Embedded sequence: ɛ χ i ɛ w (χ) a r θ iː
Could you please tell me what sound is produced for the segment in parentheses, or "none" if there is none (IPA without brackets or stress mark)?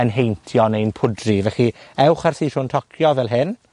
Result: χ